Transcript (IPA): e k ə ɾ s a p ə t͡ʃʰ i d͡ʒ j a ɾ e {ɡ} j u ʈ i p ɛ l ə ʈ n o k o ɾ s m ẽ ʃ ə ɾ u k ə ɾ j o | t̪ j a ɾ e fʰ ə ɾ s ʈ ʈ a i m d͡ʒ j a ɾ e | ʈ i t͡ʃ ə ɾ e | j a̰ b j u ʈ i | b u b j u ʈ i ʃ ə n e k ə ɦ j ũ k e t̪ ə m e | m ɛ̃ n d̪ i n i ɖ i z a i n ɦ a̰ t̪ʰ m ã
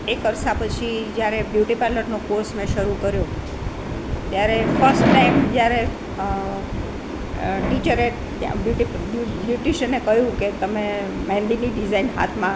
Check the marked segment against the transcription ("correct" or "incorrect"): incorrect